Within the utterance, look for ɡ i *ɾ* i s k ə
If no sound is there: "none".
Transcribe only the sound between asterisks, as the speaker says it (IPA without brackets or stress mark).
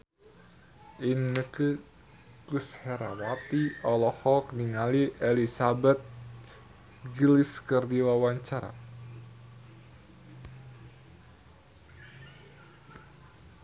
l